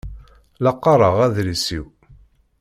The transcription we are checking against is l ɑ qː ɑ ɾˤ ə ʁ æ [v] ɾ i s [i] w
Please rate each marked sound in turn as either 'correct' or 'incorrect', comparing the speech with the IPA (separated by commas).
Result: incorrect, correct